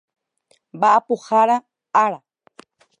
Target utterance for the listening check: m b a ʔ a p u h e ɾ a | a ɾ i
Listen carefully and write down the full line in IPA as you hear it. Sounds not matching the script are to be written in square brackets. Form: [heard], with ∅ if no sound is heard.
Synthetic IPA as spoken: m b a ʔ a p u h [a] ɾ a | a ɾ [a]